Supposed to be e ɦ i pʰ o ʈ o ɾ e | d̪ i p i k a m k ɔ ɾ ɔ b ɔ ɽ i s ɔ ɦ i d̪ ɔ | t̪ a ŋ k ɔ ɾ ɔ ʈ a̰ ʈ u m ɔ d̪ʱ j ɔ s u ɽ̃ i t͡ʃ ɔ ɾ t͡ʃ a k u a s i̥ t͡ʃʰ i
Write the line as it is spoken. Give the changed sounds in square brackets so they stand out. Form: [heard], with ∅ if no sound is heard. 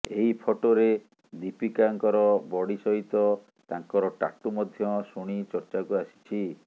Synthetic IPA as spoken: e ɦ i pʰ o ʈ o ɾ e | d̪ i p i k a [ŋ] k ɔ ɾ ɔ b ɔ ɽ i s ɔ ɦ i [t̪] ɔ | t̪ a ŋ k ɔ ɾ ɔ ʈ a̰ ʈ u m ɔ d̪ʱ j ɔ s u ɽ̃ i t͡ʃ ɔ ɾ t͡ʃ a k u a s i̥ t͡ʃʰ i